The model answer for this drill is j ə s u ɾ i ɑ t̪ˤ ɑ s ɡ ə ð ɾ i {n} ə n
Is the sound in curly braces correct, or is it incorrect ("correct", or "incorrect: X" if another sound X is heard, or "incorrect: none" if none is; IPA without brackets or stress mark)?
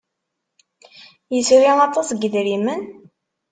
incorrect: m